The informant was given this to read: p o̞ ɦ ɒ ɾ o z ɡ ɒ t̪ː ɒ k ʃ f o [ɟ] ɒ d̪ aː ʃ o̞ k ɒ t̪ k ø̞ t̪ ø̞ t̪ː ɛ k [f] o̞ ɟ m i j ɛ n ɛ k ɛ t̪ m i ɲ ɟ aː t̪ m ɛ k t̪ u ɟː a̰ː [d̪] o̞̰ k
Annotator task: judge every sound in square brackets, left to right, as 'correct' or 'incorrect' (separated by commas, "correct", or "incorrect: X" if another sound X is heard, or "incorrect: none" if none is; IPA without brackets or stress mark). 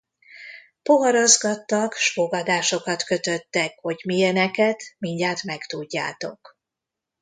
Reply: incorrect: ɡ, incorrect: h, incorrect: t̪